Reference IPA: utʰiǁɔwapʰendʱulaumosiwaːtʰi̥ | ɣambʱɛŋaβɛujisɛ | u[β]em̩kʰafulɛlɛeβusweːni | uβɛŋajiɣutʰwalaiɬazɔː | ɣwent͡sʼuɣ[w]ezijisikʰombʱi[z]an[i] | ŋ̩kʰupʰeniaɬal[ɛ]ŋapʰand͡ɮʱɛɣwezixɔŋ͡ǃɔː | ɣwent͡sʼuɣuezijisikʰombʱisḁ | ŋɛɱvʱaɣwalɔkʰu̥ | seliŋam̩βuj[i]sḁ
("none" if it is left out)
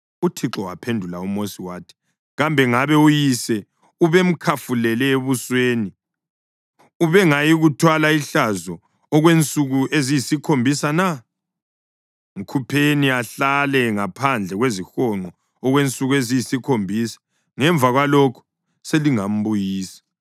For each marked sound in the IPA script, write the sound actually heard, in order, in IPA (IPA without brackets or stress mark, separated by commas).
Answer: β, u, s, a, ɛ, iː